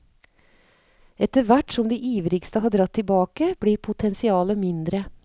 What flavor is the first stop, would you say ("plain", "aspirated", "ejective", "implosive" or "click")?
plain